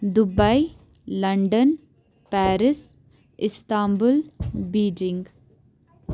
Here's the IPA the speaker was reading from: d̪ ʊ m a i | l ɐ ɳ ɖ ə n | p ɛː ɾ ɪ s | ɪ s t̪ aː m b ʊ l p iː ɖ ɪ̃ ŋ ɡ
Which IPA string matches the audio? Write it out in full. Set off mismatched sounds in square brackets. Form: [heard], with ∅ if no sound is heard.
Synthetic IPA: d̪ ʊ [b] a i | l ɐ ɳ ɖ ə n | p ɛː ɾ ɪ s | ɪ s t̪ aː m b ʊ l [b] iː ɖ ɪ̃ ŋ ɡ